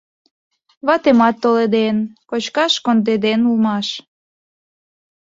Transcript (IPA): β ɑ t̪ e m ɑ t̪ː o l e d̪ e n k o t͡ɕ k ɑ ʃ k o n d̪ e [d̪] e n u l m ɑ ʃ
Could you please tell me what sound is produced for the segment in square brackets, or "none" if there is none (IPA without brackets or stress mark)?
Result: d̪